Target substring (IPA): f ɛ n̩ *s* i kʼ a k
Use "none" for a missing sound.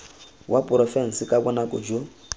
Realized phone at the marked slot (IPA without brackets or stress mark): s